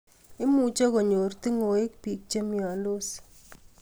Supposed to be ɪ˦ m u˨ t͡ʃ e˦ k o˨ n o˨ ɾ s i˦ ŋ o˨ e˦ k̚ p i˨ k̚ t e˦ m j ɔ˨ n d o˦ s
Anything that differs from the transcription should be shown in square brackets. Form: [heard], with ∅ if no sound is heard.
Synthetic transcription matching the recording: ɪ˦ m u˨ t͡ʃ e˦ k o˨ [ɲ] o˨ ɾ [t] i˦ ŋ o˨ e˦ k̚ p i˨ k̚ [t͡ʃ] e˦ m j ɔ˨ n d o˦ s